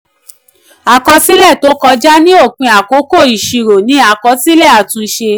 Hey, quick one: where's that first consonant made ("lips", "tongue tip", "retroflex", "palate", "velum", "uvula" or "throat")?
velum